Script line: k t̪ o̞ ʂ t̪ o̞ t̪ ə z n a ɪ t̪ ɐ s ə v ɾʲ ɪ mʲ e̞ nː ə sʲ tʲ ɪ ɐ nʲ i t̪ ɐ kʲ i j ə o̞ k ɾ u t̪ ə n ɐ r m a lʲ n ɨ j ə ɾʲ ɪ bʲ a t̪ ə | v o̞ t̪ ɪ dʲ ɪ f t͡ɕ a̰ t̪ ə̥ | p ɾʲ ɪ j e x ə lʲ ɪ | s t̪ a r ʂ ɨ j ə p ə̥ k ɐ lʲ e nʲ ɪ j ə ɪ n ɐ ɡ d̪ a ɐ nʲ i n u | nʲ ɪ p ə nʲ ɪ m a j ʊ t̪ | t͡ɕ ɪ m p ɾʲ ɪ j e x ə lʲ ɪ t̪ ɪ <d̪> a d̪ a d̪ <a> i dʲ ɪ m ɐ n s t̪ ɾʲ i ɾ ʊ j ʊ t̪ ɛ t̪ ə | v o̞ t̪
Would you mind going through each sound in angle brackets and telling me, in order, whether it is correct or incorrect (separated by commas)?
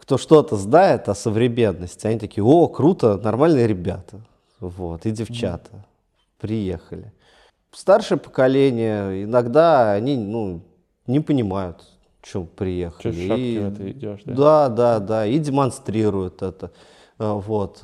correct, correct